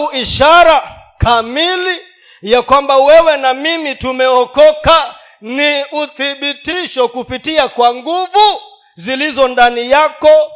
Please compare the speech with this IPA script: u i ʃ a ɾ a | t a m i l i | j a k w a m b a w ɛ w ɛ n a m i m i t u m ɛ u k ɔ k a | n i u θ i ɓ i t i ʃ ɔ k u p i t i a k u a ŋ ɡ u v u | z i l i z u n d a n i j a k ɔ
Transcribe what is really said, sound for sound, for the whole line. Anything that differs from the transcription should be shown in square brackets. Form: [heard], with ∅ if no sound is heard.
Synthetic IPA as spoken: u i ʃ a ɾ a | [k] a m i l i | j a k w a m b a w ɛ w ɛ n a m i m i t u m ɛ [ɔ] k ɔ k a | n i u θ i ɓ i t i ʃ ɔ k u p i t i a k [w] a ŋ ɡ u v u | z i l i z [ɔ] n d a n i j a k ɔ